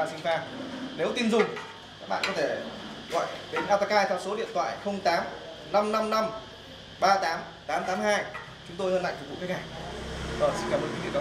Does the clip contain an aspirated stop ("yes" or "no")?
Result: yes